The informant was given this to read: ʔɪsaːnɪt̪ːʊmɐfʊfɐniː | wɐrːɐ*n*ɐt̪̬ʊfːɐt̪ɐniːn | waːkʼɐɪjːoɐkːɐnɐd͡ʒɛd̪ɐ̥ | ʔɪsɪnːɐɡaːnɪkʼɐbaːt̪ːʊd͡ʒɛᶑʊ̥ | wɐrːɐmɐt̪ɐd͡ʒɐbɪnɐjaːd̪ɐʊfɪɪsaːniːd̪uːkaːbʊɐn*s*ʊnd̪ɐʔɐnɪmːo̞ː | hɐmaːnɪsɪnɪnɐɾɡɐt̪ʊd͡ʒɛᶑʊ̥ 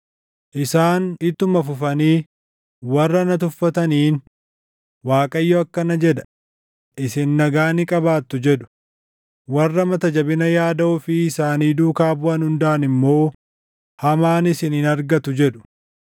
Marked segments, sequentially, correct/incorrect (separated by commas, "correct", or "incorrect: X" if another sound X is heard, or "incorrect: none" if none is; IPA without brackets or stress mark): correct, incorrect: h